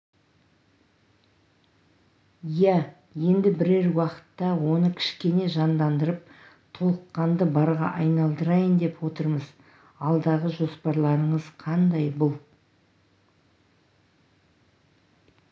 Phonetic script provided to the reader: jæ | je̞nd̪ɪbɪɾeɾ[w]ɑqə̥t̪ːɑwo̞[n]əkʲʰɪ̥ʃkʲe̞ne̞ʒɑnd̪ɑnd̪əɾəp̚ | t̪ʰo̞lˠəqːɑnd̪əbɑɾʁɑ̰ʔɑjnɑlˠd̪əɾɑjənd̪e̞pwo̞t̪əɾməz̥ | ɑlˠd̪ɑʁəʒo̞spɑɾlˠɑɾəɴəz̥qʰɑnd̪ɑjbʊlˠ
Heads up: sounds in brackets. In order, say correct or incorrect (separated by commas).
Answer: correct, correct